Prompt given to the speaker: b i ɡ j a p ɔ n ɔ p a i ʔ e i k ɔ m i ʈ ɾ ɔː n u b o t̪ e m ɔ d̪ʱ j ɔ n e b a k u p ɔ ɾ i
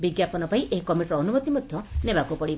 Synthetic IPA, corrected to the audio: b i ɡ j a p ɔ n ɔ p a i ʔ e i k ɔ m i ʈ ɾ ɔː n u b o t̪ i m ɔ d̪ʱ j ɔ n e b a k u p ɔ ɽ i